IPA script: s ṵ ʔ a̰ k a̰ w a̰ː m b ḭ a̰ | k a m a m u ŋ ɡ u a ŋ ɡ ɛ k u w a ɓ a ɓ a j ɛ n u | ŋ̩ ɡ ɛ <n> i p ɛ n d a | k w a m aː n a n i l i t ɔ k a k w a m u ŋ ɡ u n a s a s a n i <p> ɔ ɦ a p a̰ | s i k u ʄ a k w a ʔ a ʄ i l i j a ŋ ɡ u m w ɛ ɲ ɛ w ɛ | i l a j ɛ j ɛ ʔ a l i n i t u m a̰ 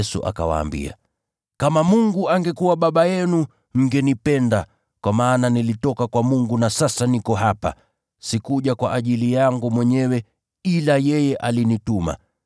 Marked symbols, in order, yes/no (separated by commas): yes, no